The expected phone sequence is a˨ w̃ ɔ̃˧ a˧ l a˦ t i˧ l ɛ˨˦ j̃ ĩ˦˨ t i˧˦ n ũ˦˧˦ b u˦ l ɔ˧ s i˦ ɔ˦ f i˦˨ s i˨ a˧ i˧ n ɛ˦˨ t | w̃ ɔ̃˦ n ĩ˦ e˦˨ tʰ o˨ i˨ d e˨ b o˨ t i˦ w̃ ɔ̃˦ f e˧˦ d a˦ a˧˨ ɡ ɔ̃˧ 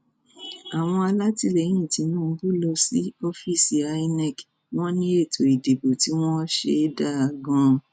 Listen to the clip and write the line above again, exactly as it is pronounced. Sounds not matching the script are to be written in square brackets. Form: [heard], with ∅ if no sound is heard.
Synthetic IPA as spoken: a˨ w̃ ɔ̃˧ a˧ l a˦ t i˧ l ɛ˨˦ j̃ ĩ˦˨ t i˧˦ n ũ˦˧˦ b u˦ l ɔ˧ s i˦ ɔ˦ f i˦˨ s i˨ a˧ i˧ n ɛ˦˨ [k] | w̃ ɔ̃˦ n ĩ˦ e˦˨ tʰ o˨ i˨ d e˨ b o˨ t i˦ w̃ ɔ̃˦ [ʃ] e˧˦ d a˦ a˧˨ ɡ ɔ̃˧